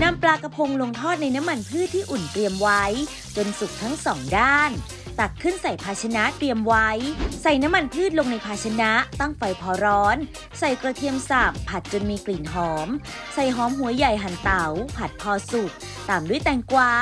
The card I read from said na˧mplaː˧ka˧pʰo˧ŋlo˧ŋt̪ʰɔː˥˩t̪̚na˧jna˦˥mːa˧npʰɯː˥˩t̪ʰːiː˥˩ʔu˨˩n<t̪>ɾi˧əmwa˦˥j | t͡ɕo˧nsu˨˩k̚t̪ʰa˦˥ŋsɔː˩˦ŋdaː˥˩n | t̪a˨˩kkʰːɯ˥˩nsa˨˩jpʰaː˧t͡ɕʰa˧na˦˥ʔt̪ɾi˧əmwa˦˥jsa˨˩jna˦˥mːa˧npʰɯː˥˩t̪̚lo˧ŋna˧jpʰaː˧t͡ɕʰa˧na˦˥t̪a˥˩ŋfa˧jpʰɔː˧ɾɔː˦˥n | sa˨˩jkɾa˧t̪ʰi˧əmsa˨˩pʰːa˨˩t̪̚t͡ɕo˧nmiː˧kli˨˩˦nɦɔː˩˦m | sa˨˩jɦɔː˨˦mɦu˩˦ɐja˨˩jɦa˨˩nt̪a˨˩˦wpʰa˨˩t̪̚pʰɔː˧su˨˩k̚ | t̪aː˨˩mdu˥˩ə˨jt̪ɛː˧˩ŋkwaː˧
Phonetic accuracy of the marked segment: correct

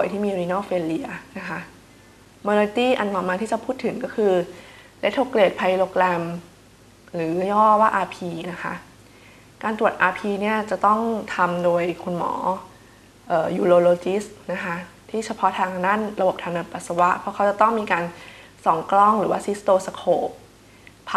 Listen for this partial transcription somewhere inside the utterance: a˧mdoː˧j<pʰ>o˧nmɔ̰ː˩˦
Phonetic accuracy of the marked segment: incorrect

